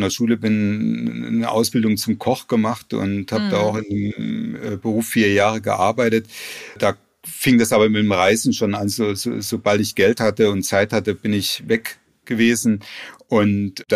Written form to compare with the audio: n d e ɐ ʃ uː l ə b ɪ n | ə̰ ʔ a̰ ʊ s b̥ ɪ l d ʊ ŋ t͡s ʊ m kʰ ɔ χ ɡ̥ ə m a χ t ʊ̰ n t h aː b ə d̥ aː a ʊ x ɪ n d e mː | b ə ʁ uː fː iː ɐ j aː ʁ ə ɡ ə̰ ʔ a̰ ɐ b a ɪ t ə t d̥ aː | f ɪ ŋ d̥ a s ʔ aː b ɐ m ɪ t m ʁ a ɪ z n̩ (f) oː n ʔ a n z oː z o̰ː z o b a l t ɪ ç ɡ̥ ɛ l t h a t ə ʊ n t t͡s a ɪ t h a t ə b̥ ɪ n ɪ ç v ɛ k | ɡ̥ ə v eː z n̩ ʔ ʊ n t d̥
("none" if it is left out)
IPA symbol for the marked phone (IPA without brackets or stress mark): ʃ